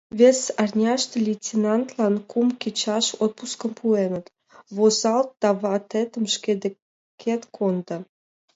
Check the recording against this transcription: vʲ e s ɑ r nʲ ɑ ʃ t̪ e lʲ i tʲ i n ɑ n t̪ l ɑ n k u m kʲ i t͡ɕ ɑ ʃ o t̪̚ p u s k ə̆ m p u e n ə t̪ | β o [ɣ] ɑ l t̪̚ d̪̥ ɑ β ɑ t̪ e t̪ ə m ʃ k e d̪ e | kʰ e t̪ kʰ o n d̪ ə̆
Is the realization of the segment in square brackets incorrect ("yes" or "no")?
yes